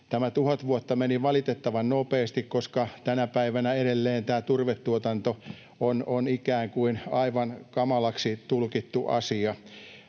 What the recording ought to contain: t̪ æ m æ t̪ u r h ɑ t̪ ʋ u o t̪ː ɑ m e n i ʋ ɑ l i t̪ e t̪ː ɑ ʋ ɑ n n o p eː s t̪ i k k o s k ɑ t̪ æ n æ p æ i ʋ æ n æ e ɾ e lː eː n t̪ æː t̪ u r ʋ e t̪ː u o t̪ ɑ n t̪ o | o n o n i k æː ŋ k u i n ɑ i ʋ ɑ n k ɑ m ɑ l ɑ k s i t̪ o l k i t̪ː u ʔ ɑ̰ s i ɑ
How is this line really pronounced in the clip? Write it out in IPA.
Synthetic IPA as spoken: t̪ æ m æ t̪ u h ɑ t̪ ʋ u o t̪ː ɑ m e n i ʋ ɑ l i t̪ e t̪ː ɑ ʋ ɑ n n o p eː s t̪ i k k o s k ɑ t̪ æ n æ p æ i ʋ æ n æ e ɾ e lː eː n t̪ æː t̪ u r ʋ e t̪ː u o t̪ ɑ n t̪ o | o n o n i k æː ŋ k u i n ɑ i ʋ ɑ n k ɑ m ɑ l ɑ k s i t̪ u l k i t̪ː u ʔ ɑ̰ s i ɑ